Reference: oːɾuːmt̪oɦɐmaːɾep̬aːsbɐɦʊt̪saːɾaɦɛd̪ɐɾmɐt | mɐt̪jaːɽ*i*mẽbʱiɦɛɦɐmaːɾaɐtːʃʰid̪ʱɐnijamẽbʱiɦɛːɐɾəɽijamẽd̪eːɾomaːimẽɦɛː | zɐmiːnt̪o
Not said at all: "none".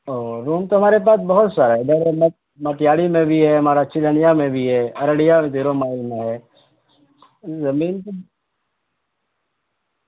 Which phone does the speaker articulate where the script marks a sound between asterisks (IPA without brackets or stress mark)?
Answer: i